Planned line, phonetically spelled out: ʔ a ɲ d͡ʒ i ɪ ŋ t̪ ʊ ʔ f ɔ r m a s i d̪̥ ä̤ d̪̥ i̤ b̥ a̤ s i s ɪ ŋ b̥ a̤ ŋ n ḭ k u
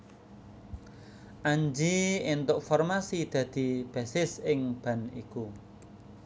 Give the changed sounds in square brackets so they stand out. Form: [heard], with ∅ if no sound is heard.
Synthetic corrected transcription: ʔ a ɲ d͡ʒ i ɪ [n] t̪ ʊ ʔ f ɔ r m a s i d̪̥ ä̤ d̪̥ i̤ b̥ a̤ s [ɪ] s ɪ ŋ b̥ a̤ [∅] n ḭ k u